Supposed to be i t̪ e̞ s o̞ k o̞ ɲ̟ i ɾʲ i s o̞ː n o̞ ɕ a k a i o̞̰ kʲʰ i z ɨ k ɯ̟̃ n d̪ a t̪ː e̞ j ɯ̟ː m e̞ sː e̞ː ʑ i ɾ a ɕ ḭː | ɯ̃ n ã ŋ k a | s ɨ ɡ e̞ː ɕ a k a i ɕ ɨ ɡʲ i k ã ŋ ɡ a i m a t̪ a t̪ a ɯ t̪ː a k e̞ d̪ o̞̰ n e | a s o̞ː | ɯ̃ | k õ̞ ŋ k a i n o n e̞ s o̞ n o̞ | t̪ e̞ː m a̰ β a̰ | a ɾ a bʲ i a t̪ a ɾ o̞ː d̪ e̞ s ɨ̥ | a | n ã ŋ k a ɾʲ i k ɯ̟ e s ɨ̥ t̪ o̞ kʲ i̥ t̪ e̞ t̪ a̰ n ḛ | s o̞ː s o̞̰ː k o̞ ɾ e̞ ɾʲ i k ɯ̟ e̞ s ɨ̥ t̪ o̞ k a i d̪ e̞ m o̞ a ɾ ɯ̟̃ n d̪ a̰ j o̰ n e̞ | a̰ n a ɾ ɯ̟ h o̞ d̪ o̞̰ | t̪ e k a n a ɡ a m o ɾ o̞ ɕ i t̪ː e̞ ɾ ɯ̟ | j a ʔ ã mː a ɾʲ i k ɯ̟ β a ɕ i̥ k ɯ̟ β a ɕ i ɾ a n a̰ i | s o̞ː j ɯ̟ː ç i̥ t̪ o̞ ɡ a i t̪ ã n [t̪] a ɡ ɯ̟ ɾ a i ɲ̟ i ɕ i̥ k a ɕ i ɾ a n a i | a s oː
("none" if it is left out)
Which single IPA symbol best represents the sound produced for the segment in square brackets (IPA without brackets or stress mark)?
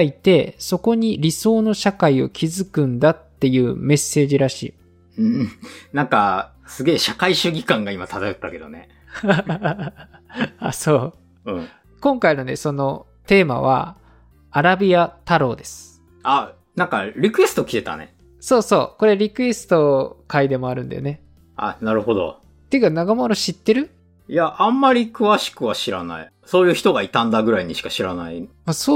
d̪